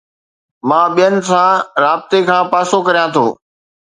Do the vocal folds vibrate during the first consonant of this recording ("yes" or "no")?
yes